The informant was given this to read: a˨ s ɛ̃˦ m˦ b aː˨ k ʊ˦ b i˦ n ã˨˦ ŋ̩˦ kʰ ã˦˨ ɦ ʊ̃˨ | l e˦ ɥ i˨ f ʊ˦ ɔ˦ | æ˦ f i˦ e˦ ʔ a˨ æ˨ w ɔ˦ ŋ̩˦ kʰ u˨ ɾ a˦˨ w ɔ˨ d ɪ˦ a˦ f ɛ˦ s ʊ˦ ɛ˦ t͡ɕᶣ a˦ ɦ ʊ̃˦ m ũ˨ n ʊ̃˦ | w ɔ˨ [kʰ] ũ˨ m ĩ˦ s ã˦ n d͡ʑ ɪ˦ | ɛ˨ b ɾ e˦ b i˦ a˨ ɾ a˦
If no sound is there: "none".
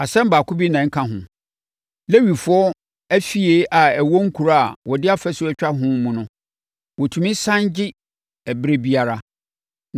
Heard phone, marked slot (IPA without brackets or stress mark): tʰ